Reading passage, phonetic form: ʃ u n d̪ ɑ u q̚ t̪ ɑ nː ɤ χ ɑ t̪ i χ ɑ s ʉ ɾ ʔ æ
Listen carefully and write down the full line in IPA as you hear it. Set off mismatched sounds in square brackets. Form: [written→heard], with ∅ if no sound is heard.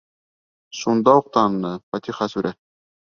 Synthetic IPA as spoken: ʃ u n d̪ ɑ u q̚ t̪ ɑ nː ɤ [χ→f] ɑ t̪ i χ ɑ s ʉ ɾ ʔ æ